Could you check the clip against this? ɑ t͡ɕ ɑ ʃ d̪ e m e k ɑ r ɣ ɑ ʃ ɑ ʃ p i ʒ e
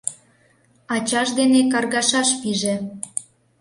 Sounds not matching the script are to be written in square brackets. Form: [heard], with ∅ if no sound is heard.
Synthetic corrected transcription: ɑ t͡ɕ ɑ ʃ d̪ e [n] e k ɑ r ɣ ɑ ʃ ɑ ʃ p i ʒ e

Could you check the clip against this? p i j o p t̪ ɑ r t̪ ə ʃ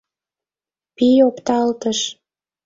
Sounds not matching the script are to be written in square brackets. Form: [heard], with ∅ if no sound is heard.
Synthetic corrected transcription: p i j o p t̪ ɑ [l] t̪ ə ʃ

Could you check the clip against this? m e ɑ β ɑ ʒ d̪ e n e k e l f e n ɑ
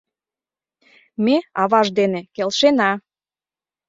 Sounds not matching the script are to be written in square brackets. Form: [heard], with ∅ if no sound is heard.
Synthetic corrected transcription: m e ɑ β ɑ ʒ d̪ e n e k e l [ʃ] e n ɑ

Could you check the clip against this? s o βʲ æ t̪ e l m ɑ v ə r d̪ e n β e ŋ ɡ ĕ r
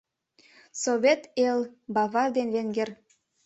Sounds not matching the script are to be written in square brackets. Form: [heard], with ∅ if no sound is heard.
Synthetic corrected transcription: s o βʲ [e] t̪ e l [b] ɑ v [ɑ] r d̪ e n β e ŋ ɡ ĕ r

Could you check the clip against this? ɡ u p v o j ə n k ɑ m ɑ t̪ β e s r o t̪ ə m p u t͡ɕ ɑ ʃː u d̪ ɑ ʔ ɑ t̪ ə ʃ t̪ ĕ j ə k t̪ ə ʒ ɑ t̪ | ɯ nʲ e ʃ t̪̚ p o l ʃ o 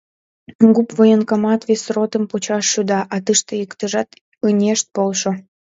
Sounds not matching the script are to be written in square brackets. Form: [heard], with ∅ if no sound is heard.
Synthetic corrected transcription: ɡ u p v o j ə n k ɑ m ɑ t̪ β e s r o t̪ ə m p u t͡ɕ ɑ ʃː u d̪ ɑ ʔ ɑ t̪ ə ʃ t̪ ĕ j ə k t̪ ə ʒ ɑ t̪ | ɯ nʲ e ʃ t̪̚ p o l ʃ o

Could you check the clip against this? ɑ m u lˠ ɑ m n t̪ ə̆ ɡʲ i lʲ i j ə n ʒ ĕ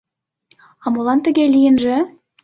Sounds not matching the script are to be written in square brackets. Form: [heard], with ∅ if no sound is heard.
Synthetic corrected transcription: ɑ m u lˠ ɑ [∅] n t̪ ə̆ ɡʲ [e] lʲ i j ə n ʒ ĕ

